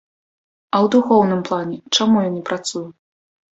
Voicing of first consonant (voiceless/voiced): voiced